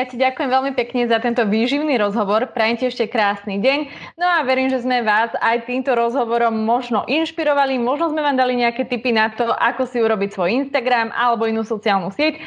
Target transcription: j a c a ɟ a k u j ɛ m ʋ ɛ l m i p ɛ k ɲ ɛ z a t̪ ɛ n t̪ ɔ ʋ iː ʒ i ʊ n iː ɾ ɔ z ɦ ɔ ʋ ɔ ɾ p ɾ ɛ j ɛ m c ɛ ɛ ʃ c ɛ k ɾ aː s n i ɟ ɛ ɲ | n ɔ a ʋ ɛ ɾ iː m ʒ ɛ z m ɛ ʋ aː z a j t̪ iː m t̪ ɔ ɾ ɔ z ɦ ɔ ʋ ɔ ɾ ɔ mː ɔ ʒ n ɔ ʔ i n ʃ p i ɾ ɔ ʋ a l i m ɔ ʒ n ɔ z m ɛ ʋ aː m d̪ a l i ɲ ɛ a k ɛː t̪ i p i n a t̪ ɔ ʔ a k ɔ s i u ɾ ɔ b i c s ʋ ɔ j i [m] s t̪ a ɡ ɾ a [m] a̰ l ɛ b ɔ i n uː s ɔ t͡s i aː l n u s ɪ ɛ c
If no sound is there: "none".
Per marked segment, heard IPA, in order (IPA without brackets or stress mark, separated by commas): n, m